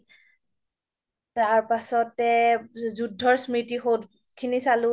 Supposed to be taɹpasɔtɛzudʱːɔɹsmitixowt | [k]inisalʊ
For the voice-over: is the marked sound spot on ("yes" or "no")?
no